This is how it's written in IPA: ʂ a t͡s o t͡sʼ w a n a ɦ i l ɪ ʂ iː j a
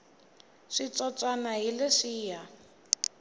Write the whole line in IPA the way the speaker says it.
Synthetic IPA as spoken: ʂ i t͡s ɔ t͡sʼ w a n a ɦ i l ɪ ʂ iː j a